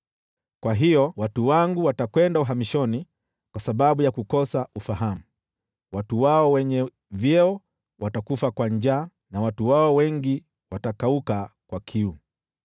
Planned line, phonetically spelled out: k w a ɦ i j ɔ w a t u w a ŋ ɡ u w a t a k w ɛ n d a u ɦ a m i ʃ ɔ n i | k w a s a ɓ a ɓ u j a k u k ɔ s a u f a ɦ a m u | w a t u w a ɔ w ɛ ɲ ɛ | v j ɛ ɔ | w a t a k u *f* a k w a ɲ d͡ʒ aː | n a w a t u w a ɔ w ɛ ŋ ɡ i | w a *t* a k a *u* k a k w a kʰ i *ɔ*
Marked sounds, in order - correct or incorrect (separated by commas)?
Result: correct, correct, correct, incorrect